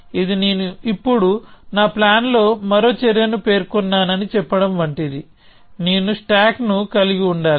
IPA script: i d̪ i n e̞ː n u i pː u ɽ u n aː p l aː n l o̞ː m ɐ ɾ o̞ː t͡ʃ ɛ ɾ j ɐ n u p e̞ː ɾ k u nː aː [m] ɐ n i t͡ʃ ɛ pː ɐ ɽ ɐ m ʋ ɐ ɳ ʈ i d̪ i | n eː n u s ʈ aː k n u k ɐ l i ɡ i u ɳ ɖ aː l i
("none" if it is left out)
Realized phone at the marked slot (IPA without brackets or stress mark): n